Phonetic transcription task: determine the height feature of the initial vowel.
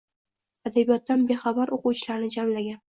low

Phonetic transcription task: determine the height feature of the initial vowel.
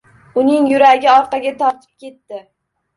high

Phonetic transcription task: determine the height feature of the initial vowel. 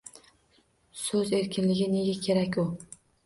mid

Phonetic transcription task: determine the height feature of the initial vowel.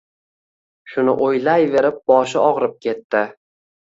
high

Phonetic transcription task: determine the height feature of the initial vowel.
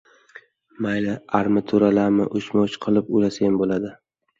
low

